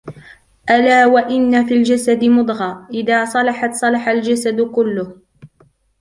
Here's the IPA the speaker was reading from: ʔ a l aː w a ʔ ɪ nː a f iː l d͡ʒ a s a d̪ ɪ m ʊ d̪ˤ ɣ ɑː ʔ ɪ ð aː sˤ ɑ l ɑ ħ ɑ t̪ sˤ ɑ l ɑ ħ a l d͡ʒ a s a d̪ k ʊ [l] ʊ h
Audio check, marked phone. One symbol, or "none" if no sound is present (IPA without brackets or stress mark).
lː